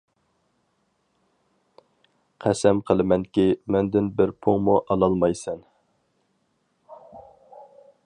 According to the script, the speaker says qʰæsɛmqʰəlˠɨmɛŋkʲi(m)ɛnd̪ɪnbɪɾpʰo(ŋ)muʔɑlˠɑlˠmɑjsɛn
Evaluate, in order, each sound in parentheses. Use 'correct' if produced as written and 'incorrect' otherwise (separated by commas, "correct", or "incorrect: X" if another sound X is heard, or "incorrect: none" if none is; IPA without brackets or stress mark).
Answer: correct, correct